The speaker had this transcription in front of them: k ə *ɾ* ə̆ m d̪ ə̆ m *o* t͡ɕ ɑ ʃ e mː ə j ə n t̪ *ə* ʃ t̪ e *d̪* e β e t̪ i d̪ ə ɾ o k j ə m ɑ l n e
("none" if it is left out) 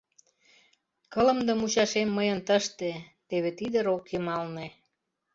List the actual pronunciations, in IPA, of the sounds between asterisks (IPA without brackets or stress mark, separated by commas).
l, u, ə, t̪